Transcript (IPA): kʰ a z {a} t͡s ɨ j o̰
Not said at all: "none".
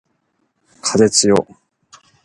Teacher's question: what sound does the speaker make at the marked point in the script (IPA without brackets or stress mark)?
e